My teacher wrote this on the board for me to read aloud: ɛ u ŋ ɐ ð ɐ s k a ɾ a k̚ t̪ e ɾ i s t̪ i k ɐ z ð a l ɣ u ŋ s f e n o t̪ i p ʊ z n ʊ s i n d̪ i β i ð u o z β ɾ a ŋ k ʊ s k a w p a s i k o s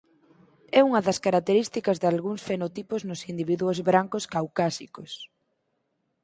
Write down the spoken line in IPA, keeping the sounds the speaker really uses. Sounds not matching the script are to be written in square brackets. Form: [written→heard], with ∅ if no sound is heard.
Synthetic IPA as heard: ɛ u ŋ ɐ ð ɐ s k a ɾ a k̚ t̪ e ɾ i s t̪ i k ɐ z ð a l ɣ u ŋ s f e n o t̪ i p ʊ z n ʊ s i n d̪ i β i ð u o z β ɾ a ŋ k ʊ s k a w [p→k] a s i k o s